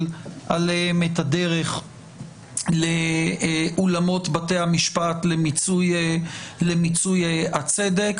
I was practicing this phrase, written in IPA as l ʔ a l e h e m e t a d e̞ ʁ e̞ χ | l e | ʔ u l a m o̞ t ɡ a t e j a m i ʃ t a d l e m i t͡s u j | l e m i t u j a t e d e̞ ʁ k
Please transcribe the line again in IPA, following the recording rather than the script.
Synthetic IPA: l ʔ a l e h e m e t a d e̞ ʁ e̞ χ | l e | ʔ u l a m o̞ t b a t e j a m i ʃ p a t l e m i t͡s u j | l e m i t͡s u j a t͡s e d e̞ k